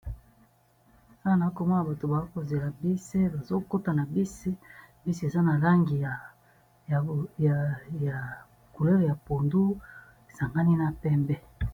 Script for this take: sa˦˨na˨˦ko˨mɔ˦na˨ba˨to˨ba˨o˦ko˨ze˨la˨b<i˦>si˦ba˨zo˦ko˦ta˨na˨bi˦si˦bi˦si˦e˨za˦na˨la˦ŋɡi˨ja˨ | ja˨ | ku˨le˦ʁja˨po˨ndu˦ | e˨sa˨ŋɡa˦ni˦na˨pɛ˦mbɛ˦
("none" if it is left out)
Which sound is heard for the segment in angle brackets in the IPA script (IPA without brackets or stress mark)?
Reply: i˦